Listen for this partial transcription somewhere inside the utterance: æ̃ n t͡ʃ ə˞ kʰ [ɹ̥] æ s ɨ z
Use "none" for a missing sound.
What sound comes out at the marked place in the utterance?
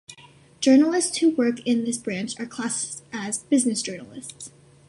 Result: l̥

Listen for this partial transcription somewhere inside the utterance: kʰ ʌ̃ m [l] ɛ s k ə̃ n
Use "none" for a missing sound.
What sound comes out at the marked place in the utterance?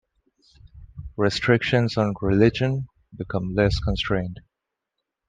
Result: l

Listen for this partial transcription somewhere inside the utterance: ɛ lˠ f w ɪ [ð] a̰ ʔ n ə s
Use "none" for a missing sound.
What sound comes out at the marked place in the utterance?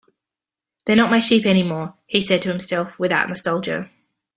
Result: ð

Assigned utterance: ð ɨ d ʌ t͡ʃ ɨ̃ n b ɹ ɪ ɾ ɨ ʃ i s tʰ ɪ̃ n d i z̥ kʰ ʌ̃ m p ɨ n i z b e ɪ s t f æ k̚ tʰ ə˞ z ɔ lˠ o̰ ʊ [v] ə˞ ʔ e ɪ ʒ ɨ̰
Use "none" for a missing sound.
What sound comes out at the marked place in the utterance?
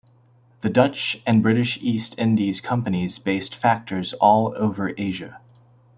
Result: v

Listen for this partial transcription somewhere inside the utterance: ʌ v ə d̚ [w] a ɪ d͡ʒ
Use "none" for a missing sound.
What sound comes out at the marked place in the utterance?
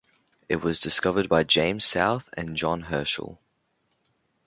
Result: b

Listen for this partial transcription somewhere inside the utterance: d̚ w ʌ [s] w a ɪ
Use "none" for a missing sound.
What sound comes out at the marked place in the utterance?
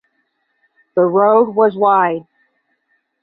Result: z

